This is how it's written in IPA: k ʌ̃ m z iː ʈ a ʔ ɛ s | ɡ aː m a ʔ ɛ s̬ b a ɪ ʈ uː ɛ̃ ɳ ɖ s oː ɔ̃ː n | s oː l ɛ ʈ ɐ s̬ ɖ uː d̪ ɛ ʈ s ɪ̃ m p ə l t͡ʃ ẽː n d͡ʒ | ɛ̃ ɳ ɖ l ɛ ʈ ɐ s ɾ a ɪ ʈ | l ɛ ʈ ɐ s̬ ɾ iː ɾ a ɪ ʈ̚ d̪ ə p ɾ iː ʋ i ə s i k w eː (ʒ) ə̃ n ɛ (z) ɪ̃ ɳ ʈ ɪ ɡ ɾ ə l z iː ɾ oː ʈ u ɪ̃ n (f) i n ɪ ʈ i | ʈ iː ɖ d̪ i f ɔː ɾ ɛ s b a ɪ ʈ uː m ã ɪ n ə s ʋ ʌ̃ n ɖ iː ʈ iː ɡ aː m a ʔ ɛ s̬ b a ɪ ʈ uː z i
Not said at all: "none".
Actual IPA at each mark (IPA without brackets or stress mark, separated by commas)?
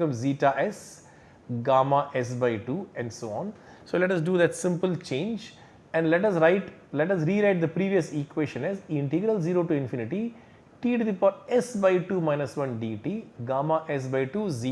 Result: ʃ, z, f